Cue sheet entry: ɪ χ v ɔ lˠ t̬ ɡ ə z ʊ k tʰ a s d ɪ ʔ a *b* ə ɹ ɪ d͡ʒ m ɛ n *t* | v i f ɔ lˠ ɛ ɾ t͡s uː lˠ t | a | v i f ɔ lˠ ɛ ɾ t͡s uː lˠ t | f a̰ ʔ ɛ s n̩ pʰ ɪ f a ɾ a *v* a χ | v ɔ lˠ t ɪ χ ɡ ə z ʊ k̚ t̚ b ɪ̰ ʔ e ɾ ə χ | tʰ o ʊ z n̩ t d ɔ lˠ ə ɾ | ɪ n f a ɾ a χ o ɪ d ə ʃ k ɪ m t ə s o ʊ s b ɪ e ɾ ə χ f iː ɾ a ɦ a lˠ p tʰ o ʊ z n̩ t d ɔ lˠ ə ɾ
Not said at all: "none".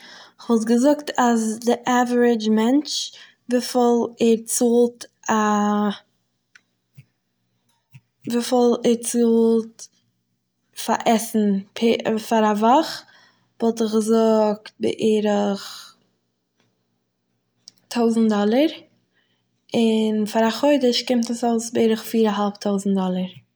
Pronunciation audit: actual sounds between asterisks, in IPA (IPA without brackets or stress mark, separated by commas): v, t͡ʃ, v